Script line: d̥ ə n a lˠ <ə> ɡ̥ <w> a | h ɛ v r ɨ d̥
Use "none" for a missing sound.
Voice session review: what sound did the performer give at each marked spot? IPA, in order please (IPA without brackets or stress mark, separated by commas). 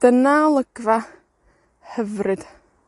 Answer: ə, v